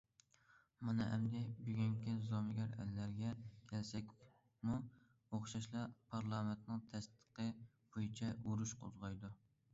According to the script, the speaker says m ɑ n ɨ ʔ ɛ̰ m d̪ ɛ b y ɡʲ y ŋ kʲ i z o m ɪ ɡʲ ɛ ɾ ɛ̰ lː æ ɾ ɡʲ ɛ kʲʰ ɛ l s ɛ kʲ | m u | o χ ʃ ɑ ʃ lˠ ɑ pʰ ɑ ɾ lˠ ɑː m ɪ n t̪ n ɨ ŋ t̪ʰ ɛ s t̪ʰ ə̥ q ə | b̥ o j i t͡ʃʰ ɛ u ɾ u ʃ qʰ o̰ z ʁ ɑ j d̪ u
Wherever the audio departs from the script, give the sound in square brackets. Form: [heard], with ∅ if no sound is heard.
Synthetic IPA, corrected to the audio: m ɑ n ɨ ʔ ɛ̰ m d̪ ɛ b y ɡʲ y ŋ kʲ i z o m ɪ ɡʲ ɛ ɾ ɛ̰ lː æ ɾ ɡʲ ɛ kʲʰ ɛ l s ɛ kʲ | m u | o χ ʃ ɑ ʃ lˠ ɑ pʰ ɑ ɾ lˠ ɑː m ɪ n t̪ n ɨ ŋ t̪ʰ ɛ s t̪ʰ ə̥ q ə | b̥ o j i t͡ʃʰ ɛ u ɾ u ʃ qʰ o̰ z ʁ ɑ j d̪ u